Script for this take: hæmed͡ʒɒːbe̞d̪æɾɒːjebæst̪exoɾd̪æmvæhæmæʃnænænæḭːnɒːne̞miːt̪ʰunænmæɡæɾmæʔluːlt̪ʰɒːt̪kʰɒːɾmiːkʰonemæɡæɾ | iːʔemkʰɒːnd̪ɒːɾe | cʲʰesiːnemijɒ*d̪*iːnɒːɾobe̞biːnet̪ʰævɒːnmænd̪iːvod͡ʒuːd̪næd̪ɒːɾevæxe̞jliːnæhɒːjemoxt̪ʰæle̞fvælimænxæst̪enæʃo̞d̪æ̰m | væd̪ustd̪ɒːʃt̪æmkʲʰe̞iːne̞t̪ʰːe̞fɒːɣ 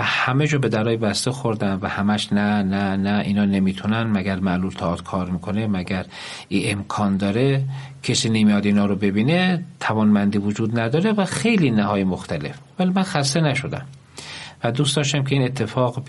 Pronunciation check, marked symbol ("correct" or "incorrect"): correct